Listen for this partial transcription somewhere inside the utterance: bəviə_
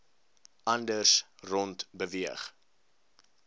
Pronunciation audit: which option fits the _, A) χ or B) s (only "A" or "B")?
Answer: A